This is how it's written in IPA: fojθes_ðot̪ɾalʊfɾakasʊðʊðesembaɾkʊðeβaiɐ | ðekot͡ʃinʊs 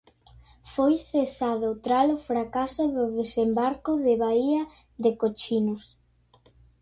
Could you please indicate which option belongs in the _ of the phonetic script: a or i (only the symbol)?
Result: a